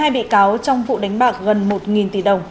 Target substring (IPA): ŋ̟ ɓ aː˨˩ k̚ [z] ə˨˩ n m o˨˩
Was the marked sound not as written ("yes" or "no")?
yes